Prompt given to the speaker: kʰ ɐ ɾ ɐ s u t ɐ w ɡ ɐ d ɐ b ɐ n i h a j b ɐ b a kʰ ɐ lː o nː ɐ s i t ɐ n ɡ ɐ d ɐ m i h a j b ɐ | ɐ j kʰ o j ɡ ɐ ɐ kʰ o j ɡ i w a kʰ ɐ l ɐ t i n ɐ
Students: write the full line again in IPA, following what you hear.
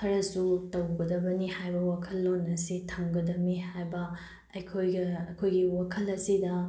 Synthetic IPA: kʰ ɐ ɾ ɐ s u t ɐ w ɡ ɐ d ɐ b ɐ n i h a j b ɐ w a kʰ ɐ lː o n ɐ s i tʰ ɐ ŋ ɡ ɐ d ɐ m i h a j b ɐ | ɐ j kʰ o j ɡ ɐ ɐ kʰ o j ɡ i w a kʰ ɐ l ɐ s i d ɐ

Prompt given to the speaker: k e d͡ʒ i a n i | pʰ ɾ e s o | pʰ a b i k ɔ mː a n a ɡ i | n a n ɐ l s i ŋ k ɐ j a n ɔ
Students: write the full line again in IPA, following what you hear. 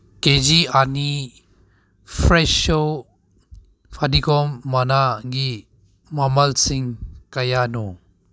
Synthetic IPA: k e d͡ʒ i a n i | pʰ ɾ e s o | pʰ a d i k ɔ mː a n a ɡ i | m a m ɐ l s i ŋ k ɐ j a n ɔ

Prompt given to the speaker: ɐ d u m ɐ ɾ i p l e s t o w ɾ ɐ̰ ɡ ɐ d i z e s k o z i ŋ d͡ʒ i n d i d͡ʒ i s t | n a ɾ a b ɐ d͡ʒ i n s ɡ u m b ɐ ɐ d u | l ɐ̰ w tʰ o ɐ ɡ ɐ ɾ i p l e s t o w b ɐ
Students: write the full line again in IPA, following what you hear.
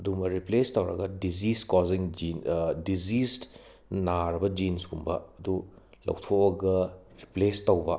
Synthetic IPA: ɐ d u m ɐ ɾ i p l e s t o w ɾ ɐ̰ ɡ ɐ d i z i s k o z i ŋ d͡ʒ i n d i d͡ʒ i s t | n a ɾ ɐ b ɐ d͡ʒ i n s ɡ u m b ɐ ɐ d u | l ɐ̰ w tʰ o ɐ ɡ ɐ ɾ i p l e s t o w b ɐ

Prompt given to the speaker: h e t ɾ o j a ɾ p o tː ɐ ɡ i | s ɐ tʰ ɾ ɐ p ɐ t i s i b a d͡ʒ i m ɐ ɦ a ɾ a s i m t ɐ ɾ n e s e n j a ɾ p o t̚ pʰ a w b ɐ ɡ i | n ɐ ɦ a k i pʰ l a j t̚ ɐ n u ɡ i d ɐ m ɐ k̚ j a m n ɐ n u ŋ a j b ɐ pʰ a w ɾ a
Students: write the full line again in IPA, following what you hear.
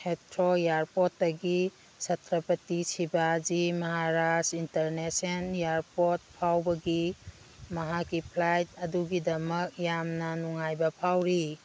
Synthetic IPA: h e t ɾ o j a ɾ p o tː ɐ ɡ i | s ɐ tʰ ɾ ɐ p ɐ t i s i b a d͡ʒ i m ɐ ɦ a ɾ a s i n t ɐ ɾ n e s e n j a ɾ p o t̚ pʰ a w b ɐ ɡ i | m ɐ ɦ a k i pʰ l a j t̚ ɐ d u ɡ i d ɐ m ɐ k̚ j a m n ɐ n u ŋ a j b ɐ pʰ a w ɾ i

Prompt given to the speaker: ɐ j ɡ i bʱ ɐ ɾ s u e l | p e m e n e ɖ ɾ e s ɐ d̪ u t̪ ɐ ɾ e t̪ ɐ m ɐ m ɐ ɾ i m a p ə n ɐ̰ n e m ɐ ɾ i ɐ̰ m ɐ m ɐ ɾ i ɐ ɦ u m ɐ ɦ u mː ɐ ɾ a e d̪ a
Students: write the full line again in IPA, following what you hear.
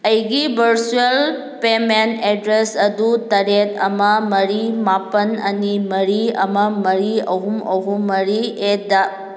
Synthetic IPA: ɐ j ɡ i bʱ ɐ ɾ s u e l | p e m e n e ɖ ɾ e s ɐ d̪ u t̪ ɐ ɾ e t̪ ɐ m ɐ m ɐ ɾ i m a p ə n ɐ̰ n i m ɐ ɾ i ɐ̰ m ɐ m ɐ ɾ i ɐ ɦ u m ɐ ɦ u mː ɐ ɾ i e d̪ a

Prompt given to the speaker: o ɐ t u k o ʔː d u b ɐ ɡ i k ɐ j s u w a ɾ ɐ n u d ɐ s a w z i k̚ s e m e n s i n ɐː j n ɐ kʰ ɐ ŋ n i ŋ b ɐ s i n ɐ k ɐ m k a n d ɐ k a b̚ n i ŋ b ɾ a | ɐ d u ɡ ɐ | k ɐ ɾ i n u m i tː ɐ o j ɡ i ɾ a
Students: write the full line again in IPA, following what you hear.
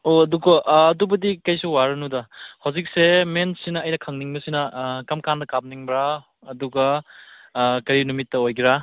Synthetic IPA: o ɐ d u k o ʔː d u b ɐ d i k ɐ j s u w a ɾ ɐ n u d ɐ h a w z i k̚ s e m e n s i n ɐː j n ɐ kʰ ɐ ŋ n i ŋ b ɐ s i n ɐ k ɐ m k a n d ɐ k a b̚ n i ŋ b ɾ a | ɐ d u ɡ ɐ | k ɐ ɾ i n u m i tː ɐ o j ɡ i ɾ a

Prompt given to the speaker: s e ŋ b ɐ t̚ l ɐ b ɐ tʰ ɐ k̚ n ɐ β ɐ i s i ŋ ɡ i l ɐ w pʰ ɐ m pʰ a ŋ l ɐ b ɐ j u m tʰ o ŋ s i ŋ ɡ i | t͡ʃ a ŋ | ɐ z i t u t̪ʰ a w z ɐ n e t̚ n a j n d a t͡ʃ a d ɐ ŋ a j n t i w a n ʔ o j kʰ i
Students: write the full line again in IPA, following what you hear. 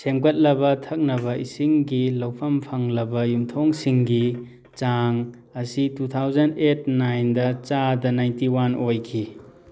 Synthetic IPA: s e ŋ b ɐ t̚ l ɐ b ɐ tʰ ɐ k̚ n ɐ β ɐ i s i ŋ ɡ i l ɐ w pʰ ɐ m pʰ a ŋ l ɐ b ɐ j u m tʰ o ŋ s i ŋ ɡ i | t͡ʃ a ŋ | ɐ s i t u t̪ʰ a w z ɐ n e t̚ n a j n d ɐ t͡ʃ a d ɐ n a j n t i w a n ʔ o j kʰ i

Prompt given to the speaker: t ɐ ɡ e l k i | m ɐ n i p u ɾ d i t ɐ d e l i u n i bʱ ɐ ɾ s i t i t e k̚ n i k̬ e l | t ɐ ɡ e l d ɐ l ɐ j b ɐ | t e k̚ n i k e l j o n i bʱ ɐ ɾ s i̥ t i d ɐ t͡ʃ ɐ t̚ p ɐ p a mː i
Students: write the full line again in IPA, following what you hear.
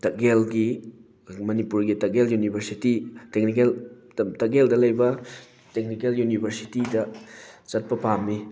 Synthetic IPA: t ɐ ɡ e l ɡ i | m ɐ n i p u ɾ ɡ i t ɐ ɡ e l j u n i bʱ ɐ ɾ s i t i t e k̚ n i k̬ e l | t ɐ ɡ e l d ɐ l ɐ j b ɐ | t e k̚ n i k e l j u n i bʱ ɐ ɾ s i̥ t i d ɐ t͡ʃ ɐ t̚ p ɐ p a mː i

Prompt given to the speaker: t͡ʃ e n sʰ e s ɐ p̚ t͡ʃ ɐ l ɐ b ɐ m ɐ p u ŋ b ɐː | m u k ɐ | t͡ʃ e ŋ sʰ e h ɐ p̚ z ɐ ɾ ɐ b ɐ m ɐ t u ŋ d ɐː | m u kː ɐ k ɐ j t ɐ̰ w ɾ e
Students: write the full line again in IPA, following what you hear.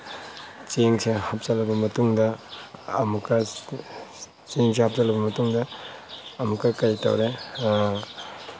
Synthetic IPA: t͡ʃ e ŋ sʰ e h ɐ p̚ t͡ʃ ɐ l ɐ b ɐ m ɐ t u ŋ d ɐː | m u k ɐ | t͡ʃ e ŋ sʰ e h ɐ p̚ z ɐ l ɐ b ɐ m ɐ t u ŋ d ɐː | m u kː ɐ k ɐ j t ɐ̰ w ɾ e

